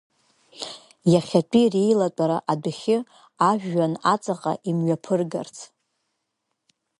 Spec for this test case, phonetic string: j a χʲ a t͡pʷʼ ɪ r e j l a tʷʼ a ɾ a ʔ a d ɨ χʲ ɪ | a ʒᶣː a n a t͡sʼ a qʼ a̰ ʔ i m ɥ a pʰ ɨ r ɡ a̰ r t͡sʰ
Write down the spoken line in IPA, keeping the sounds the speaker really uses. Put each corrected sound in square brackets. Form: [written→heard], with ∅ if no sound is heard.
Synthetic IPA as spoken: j a χʲ a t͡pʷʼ [ɪ→i] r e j l a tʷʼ a ɾ a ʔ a d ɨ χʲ ɪ | a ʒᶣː a n a t͡sʼ a qʼ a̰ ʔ i m ɥ a pʰ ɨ r ɡ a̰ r t͡sʰ